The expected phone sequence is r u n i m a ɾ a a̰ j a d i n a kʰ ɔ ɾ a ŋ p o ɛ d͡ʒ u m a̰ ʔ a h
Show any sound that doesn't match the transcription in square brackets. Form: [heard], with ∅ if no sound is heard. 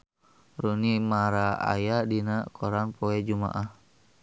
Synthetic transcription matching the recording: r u n i m a ɾ a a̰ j a d i n a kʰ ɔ ɾ a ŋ p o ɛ d͡ʒ u m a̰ ʔ a h